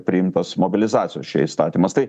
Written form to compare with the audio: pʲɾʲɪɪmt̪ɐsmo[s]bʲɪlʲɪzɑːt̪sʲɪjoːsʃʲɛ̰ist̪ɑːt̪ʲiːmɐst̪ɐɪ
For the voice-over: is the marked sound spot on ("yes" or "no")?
no